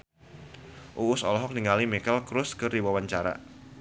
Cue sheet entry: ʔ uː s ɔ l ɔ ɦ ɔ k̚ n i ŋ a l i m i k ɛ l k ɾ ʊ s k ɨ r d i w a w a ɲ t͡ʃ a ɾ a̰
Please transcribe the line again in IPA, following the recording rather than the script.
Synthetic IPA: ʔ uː s ɔ l ɔ ɦ ɔ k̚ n i ŋ a l i m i k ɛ l k ɾ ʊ s k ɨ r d i w a w a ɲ t͡ʃ a ɾ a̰